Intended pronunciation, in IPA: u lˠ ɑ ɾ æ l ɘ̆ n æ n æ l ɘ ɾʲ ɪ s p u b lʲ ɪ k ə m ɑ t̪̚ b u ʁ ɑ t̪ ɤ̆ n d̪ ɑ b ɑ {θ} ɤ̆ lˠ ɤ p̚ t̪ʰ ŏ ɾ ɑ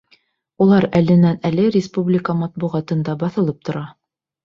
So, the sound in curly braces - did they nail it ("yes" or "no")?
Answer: yes